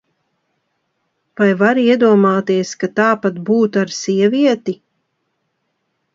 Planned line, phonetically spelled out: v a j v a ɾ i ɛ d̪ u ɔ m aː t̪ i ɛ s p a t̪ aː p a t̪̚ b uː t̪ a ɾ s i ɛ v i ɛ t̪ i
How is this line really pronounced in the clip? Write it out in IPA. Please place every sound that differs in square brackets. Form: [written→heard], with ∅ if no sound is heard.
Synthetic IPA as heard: v a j v a ɾ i ɛ d̪ u ɔ m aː t̪ i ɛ s [p→k] a t̪ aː p a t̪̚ b uː t̪ a ɾ s i ɛ v i ɛ t̪ i